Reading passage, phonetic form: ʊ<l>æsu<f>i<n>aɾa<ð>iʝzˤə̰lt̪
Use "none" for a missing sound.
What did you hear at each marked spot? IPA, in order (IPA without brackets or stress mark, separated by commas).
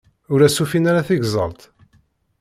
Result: ɾ, f, n, θ